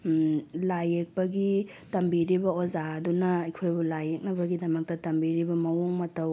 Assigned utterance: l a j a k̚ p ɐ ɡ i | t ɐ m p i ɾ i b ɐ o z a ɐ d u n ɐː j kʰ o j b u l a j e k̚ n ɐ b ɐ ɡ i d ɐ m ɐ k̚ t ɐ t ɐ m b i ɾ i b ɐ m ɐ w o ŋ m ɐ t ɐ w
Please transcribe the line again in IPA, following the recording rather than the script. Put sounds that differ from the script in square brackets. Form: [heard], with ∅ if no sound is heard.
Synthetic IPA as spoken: l a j [e] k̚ p ɐ ɡ i | t ɐ m [b] i ɾ i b ɐ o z a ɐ d u n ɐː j kʰ o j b u l a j e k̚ n ɐ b ɐ ɡ i d ɐ m ɐ k̚ t ɐ t ɐ m b i ɾ i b ɐ m ɐ w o ŋ m ɐ t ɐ w